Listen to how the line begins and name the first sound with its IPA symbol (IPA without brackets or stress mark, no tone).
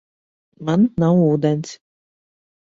m